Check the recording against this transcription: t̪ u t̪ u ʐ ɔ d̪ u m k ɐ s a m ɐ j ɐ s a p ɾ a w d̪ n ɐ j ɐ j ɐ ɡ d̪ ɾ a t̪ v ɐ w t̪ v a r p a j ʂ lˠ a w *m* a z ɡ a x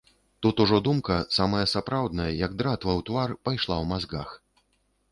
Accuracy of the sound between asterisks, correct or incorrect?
correct